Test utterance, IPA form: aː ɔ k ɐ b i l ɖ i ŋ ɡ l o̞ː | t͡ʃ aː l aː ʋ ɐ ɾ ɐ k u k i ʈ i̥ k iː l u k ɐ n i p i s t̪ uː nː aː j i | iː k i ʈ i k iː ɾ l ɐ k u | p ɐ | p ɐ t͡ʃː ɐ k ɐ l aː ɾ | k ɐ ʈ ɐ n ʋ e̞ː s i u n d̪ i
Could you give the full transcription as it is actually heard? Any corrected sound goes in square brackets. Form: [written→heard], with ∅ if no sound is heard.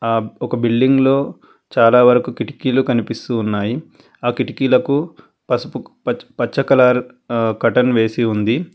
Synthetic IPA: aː ɔ k ɐ b i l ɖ i ŋ ɡ l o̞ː | t͡ʃ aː l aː ʋ ɐ ɾ ɐ k u k i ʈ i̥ k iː l u k ɐ n i p i s t̪ uː nː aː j i | [iː→aː] k i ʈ i k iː [ɾ→∅] l ɐ k u | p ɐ | p ɐ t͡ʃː ɐ k ɐ l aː ɾ | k ɐ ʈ ɐ n ʋ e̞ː s i u n d̪ i